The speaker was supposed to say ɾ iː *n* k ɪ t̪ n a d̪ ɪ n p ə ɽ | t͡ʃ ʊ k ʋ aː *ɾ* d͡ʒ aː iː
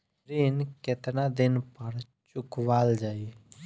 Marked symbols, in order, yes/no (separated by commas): yes, no